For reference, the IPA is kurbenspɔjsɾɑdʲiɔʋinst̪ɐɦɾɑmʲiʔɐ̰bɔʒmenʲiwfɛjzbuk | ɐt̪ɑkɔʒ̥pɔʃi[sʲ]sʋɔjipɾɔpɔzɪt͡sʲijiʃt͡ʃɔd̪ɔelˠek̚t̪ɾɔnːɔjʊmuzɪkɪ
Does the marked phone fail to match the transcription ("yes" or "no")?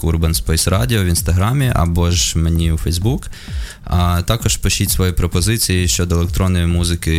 yes